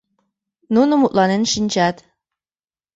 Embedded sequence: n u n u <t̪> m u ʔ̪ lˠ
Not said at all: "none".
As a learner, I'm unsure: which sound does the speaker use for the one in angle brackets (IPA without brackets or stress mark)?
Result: none